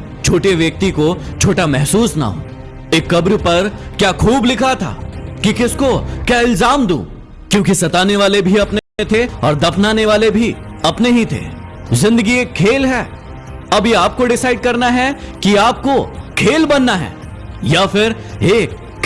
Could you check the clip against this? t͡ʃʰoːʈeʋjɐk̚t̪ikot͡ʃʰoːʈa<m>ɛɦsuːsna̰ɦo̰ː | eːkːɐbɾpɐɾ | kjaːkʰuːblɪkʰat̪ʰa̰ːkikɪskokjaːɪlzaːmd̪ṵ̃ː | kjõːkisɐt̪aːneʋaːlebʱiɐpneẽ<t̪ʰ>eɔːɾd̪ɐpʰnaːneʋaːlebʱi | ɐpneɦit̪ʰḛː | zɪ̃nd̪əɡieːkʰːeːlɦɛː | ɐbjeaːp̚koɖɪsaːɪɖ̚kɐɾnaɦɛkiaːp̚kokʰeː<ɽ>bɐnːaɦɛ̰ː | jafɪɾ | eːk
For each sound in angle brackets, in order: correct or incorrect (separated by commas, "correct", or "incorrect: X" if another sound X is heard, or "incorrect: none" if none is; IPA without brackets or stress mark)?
correct, correct, incorrect: l